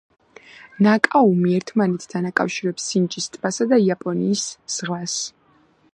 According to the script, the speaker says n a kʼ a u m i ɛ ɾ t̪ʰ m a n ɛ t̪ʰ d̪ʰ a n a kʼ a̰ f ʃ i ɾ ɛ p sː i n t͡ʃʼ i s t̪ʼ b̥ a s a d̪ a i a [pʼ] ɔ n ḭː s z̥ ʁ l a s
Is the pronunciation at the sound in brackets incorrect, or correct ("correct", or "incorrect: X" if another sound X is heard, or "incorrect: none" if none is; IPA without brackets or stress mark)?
correct